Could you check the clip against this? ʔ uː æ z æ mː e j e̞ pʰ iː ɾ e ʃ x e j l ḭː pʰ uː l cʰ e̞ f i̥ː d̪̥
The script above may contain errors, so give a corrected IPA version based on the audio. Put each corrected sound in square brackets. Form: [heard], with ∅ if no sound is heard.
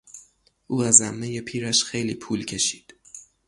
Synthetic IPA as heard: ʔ uː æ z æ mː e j e̞ pʰ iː ɾ [æ] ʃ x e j l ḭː pʰ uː l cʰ e̞ [ʃ] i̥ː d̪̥